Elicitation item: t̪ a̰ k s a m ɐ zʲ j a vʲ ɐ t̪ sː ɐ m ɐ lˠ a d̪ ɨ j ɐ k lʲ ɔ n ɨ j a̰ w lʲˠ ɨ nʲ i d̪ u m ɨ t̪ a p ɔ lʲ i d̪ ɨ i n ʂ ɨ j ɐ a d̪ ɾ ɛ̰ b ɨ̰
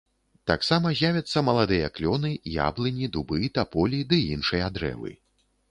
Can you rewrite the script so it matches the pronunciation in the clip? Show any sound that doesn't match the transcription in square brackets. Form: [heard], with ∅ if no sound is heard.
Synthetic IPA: t̪ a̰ k s a m ɐ zʲ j a vʲ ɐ t̪ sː ɐ m ɐ lˠ a d̪ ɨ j ɐ k lʲ ɔ n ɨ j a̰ [b] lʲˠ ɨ nʲ i d̪ u [b] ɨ t̪ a p ɔ lʲ i d̪ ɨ i n ʂ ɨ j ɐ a d̪ ɾ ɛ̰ [v] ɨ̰